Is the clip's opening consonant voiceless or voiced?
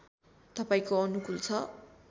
voiceless